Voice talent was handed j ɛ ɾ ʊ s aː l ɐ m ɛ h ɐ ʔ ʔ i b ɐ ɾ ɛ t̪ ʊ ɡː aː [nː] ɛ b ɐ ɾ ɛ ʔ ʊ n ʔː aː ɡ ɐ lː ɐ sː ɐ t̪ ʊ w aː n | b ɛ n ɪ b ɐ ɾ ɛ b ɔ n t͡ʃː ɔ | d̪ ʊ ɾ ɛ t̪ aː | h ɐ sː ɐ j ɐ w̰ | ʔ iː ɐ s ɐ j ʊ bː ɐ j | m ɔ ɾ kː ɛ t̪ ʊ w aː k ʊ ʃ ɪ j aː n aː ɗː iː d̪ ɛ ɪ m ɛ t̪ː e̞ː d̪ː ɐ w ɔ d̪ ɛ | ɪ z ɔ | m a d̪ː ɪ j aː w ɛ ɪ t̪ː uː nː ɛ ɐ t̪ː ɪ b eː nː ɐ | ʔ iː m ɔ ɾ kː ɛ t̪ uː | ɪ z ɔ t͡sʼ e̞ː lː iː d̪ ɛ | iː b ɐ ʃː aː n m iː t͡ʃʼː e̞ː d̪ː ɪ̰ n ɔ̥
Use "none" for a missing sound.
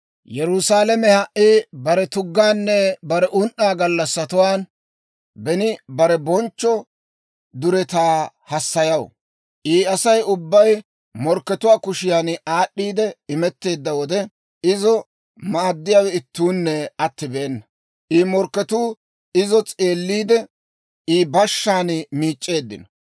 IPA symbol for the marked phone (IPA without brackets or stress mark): nː